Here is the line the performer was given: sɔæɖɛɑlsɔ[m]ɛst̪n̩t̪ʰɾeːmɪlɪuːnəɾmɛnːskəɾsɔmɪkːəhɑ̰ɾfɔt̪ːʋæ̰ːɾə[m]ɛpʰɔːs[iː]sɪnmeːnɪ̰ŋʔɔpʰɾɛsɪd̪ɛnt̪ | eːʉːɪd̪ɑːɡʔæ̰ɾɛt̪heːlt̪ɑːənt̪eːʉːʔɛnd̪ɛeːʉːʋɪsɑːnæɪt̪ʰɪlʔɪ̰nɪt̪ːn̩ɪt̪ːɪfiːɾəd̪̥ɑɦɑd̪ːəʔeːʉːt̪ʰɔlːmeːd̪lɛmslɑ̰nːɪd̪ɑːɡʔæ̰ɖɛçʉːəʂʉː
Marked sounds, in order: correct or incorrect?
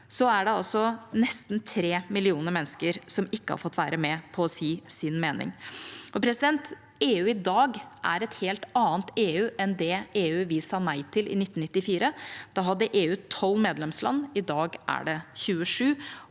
incorrect: n, correct, correct

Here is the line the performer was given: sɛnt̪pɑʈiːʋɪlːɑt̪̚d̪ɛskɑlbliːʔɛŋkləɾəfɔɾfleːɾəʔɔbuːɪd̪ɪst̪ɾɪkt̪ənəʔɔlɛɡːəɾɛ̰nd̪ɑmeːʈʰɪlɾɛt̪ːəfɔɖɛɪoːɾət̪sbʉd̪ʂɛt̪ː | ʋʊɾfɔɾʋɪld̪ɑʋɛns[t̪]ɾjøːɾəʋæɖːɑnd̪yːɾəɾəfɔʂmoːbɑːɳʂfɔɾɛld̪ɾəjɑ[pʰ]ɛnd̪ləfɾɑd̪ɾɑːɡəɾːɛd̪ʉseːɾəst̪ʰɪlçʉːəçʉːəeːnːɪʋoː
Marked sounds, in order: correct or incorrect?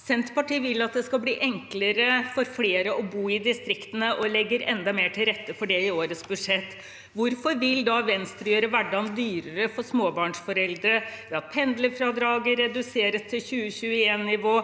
correct, correct

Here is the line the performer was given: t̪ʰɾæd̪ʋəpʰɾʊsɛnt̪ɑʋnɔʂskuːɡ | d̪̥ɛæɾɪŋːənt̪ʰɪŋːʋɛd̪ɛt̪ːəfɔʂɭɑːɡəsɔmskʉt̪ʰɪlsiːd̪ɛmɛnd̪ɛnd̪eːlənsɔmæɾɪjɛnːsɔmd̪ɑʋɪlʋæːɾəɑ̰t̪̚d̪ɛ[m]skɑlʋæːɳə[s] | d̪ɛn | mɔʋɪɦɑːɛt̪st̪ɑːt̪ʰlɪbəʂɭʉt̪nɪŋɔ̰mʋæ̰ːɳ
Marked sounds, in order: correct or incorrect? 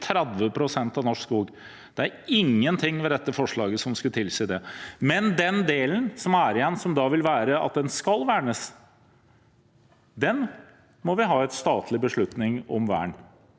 incorrect: n, correct

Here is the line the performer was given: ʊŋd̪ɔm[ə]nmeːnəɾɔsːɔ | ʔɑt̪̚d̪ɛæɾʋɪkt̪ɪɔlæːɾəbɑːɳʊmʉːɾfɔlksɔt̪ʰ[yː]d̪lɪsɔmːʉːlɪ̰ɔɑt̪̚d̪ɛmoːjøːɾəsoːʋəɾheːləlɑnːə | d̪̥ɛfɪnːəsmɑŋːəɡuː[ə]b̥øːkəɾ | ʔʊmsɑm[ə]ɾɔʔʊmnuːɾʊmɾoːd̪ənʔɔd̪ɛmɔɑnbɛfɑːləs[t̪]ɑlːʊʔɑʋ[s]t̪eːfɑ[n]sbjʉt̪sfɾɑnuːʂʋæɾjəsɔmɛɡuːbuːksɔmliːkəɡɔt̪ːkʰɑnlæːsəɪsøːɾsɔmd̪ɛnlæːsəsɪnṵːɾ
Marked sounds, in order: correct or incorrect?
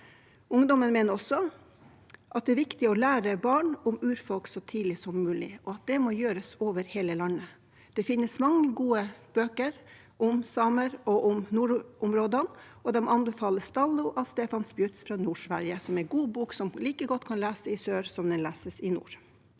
correct, incorrect: iː, correct, correct, correct, correct, correct

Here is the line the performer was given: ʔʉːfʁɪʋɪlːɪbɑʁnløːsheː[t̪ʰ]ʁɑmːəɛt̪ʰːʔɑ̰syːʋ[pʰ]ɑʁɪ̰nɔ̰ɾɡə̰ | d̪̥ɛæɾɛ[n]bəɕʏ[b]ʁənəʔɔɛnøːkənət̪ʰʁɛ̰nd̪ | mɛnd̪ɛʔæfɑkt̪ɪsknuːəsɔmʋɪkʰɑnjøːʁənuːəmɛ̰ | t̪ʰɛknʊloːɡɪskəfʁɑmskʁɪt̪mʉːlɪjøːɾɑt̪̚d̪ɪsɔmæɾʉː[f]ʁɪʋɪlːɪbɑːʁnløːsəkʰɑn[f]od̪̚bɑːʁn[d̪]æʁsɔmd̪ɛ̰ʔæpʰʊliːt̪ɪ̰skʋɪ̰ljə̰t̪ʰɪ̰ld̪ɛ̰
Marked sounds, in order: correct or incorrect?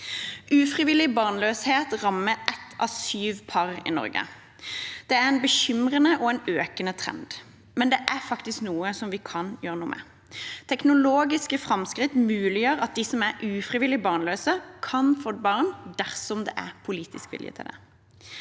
incorrect: t̪, correct, correct, incorrect: m, correct, correct, correct

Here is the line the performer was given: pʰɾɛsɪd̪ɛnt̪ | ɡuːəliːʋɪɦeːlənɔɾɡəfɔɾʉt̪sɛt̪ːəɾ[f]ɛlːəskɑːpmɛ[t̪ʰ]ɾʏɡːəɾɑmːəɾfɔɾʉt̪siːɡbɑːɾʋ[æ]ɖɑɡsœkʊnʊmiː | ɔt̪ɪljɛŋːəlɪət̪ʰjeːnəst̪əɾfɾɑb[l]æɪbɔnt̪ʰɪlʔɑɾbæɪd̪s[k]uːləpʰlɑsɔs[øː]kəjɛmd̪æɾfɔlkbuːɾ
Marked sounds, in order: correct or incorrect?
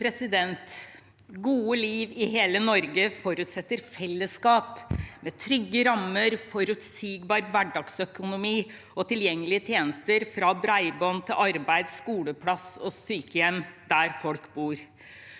correct, correct, correct, incorrect: ɾ, correct, incorrect: yː

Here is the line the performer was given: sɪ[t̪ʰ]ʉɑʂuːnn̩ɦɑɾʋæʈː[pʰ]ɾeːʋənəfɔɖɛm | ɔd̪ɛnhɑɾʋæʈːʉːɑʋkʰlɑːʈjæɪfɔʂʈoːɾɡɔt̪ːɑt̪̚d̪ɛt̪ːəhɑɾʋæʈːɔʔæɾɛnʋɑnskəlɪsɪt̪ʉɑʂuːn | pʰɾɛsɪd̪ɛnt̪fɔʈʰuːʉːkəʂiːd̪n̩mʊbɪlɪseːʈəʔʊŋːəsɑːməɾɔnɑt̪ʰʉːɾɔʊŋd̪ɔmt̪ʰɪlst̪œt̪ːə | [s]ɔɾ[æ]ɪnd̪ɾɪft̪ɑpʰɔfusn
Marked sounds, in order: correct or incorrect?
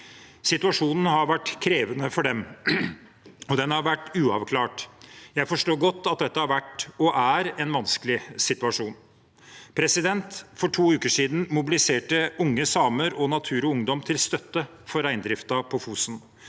incorrect: t̪, incorrect: kʰ, incorrect: f, correct

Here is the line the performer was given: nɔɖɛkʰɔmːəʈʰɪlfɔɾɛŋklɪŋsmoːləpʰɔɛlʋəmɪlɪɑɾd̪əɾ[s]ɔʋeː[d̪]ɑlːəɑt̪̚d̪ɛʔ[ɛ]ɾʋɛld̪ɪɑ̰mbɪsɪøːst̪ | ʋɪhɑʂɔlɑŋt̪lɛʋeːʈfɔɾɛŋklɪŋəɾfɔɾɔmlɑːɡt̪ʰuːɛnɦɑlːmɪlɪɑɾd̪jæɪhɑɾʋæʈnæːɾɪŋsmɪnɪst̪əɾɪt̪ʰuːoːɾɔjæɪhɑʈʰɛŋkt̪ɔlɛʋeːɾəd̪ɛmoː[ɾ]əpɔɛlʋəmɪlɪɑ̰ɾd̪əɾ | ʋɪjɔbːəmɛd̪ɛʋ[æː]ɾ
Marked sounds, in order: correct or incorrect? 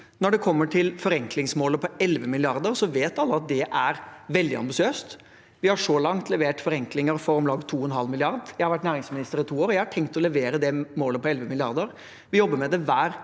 correct, incorrect: t̪, incorrect: æ, incorrect: l, correct

